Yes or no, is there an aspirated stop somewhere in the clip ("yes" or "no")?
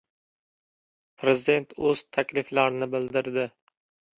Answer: yes